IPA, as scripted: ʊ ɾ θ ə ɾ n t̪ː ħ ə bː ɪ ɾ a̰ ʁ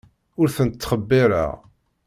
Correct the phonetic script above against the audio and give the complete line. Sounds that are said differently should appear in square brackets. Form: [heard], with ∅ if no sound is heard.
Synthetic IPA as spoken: ʊ ɾ θ ə [∅] n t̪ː [χ] ə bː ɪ ɾ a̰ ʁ